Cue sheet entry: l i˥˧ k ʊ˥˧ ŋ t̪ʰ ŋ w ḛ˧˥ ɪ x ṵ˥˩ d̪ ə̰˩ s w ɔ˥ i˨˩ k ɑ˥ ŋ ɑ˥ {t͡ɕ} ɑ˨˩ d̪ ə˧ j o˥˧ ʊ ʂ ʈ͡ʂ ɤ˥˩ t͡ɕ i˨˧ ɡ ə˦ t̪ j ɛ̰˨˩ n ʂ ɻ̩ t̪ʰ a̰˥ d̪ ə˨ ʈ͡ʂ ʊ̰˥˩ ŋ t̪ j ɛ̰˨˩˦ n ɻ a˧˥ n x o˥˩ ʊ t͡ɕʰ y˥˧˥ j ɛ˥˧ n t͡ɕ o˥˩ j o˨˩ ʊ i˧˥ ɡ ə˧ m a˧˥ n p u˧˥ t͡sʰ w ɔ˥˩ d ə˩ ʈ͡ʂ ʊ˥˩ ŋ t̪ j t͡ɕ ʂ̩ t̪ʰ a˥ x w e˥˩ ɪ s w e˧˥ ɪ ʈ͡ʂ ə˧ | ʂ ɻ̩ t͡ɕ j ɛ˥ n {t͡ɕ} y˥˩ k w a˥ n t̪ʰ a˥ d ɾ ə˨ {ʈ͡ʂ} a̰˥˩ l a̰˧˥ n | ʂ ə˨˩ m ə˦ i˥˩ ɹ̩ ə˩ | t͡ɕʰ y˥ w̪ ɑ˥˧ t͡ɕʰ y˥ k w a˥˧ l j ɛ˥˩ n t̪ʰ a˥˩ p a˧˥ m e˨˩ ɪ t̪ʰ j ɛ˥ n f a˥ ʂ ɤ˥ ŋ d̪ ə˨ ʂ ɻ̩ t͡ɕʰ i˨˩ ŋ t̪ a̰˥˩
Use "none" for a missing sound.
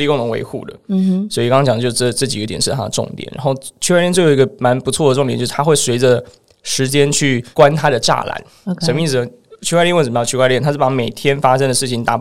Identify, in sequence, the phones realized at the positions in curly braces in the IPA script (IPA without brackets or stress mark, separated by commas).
t͡ɕ, t͡ɕʰ, ʈ͡ʂ